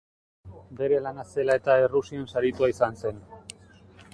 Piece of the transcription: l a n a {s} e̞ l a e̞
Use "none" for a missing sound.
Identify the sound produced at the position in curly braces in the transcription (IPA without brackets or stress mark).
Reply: s